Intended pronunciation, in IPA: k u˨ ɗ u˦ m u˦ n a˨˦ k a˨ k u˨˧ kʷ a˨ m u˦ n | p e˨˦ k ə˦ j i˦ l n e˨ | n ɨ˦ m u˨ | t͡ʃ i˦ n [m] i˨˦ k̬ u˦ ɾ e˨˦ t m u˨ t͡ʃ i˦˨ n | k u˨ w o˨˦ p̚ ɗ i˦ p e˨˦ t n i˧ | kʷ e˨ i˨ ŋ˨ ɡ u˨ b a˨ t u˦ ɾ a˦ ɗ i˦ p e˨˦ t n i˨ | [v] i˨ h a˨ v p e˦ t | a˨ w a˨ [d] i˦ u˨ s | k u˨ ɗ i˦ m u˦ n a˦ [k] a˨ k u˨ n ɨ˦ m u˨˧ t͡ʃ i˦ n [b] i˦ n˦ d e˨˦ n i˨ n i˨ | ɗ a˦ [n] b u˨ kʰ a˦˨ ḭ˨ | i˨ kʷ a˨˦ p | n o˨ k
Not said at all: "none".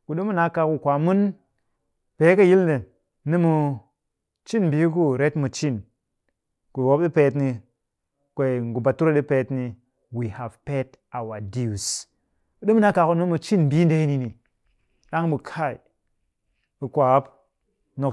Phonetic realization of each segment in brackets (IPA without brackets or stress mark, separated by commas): b, w, d, k, b, ŋ